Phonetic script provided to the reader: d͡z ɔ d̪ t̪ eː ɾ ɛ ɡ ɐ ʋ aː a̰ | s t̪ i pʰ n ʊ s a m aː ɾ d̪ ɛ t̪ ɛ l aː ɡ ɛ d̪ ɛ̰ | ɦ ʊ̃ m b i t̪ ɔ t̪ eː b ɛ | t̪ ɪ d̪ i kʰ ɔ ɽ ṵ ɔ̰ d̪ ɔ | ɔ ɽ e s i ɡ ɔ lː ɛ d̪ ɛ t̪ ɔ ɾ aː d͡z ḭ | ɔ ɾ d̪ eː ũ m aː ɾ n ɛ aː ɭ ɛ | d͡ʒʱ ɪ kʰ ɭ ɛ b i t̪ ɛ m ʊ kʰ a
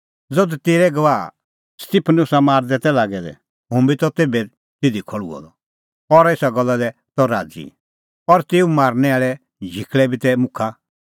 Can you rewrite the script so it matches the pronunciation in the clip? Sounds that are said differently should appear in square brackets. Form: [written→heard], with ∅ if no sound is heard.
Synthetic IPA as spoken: d͡z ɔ d̪ t̪ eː ɾ ɛ ɡ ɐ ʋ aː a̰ | s t̪ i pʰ n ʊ s a m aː ɾ d̪ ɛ t̪ ɛ l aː ɡ ɛ d̪ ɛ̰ | ɦ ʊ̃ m b i t̪ ɔ t̪ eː b ɛ | t̪ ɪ d̪ i kʰ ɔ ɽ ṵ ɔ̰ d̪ ɔ | ɔ [ɽ→ɾ] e s [i→a] ɡ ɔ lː [ɛ→a] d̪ ɛ t̪ ɔ ɾ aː d͡z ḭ | ɔ ɾ [d̪→t̪] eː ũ m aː ɾ n ɛ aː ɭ ɛ | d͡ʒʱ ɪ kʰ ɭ ɛ b i t̪ ɛ m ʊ kʰ a